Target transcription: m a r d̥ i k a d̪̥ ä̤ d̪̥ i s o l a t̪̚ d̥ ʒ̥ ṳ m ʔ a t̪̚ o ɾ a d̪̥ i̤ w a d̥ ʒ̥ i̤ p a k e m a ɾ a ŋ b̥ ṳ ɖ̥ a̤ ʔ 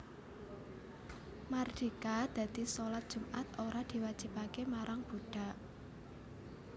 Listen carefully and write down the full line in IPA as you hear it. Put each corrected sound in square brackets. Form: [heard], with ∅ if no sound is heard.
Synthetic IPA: m a r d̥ i k a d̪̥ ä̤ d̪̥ i s o l a t̪̚ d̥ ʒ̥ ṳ m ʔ a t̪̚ o ɾ a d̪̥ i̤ w a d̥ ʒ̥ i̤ p a k e m a ɾ a ŋ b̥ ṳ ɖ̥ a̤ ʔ

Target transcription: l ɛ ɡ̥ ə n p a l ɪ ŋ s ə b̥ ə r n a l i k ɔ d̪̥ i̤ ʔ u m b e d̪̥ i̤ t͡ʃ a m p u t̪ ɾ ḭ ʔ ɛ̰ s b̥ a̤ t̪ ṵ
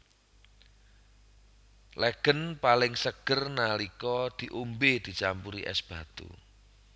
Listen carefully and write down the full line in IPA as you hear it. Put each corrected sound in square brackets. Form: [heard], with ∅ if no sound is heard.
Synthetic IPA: l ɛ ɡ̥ ə n p a l ɪ ŋ s ə [ɡ̥] ə r n a l i k ɔ d̪̥ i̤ ʔ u m b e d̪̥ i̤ t͡ʃ a m p u [∅] ɾ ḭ ʔ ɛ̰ s b̥ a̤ t̪ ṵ

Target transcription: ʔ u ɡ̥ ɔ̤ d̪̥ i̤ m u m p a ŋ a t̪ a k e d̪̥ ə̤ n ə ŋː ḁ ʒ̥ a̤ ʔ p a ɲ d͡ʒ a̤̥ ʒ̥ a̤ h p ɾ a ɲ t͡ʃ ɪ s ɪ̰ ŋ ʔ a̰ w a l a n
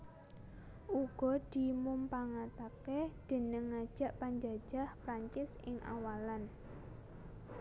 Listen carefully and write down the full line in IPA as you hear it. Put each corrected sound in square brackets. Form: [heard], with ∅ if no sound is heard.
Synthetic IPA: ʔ u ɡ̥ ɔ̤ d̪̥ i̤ m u m p a ŋ a t̪ a k e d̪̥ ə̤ n ə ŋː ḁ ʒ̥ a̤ ʔ p a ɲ d͡ʒ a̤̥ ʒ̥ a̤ h p ɾ a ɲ t͡ʃ ɪ s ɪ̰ ŋ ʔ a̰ w a l a n

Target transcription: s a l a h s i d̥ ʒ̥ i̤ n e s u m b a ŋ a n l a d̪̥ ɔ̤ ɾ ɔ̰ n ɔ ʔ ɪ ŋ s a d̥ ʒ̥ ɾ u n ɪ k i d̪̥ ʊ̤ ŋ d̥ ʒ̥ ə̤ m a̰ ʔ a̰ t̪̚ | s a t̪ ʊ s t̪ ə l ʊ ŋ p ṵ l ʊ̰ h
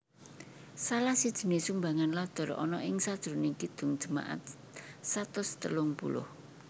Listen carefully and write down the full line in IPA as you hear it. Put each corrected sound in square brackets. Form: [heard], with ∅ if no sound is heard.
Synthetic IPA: s a l a h s i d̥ ʒ̥ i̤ n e s u m b a ŋ a n l a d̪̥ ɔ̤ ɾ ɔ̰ n ɔ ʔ ɪ ŋ s a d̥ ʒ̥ ɾ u n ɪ k i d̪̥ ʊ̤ ŋ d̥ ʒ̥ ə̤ m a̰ ʔ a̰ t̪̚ | s a t̪ ʊ s t̪ ə l ʊ ŋ p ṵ l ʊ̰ h

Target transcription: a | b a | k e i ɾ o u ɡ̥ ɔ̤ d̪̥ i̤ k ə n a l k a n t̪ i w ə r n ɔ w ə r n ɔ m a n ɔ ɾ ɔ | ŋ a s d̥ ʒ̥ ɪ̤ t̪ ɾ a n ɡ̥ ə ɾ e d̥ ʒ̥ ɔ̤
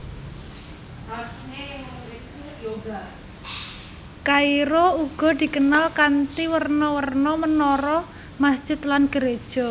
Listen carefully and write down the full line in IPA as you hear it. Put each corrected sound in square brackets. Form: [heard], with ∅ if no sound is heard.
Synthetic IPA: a | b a | k [a] i ɾ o u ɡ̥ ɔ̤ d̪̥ i̤ k ə n a l k a n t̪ i w ə r n ɔ w ə r n ɔ m [ə] n ɔ ɾ ɔ | [m] a s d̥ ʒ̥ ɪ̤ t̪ [l] a n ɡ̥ ə ɾ e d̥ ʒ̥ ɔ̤

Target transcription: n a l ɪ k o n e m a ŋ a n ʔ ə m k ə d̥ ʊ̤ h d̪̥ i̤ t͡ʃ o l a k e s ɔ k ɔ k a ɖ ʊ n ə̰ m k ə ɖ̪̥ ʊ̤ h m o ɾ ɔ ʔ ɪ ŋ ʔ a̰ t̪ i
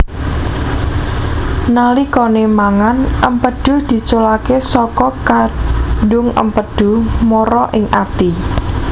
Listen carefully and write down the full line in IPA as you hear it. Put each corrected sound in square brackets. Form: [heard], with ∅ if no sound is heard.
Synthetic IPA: n a l [i] k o n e m a ŋ a n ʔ ə m [p] ə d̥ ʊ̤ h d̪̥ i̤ t͡ʃ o l a k e s ɔ k ɔ k a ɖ ʊ [ŋ] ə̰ m [p] ə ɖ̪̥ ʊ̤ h m o ɾ ɔ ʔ ɪ ŋ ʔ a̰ t̪ i

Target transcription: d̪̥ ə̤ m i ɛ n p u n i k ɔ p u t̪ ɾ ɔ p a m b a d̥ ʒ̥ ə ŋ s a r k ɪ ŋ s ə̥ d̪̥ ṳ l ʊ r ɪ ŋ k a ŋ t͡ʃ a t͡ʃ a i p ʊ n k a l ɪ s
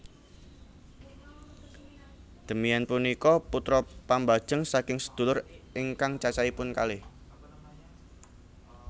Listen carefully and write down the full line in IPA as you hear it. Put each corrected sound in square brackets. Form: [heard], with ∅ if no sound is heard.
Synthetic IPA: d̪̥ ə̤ m i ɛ n p u n i k ɔ p u t̪ ɾ ɔ p a m b a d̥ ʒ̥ ə ŋ s a [∅] k ɪ ŋ s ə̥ d̪̥ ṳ l ʊ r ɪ ŋ k a ŋ t͡ʃ a t͡ʃ a i p ʊ n k a l ɪ [h]

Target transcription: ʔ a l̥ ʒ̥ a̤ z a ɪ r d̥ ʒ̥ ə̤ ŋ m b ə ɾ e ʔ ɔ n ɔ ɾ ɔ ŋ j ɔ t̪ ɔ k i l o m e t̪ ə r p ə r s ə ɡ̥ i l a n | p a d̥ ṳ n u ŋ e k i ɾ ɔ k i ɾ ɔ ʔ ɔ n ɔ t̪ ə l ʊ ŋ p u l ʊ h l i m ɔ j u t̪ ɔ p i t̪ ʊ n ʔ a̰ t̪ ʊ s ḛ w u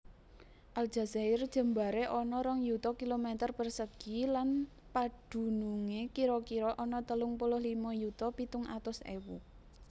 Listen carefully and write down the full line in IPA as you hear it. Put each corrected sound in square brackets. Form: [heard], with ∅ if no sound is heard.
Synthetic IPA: ʔ a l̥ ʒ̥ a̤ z a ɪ r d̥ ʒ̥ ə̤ [∅] m b [a] ɾ e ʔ ɔ n ɔ ɾ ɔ ŋ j [u] t̪ ɔ k i l o m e t̪ ə r p ə r s ə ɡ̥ i l a n | p a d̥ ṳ n u ŋ e k i ɾ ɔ k i ɾ ɔ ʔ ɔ n ɔ t̪ ə l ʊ ŋ p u l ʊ h l i m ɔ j u t̪ ɔ p i t̪ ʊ [ŋ] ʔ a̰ t̪ ʊ s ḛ w u

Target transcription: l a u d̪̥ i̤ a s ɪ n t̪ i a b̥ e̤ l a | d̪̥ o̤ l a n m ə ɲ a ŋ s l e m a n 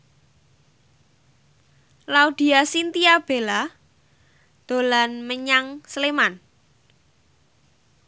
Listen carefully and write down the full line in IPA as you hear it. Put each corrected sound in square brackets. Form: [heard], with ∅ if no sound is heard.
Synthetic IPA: l a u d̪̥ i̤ a s [i] n t̪ i a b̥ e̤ l a | d̪̥ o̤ l a n m ə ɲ a ŋ s l e m a n

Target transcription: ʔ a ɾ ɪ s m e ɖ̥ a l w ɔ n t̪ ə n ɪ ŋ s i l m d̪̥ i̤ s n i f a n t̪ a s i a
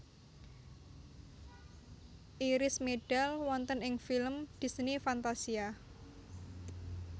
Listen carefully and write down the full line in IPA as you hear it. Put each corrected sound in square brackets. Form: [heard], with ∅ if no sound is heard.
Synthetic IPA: ʔ [i] ɾ ɪ s m e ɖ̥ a l w ɔ n t̪ ə n ɪ ŋ [f] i l m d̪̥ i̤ s n i f a n t̪ a s i a

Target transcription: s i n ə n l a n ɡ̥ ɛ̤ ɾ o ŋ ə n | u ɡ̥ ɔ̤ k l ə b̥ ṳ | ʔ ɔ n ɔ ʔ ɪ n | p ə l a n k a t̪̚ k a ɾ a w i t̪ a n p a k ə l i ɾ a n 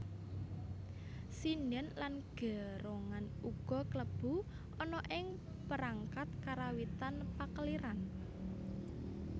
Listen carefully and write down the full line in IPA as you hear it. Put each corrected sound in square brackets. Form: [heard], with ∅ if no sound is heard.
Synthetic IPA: s i n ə n l a n ɡ̥ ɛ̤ ɾ o ŋ [a] n | u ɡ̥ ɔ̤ k l ə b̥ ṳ | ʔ ɔ n ɔ ʔ ɪ [ŋ] | p ə [ɾ] a [ŋ] k a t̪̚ k a ɾ a w i t̪ a n p a k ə l i ɾ a n

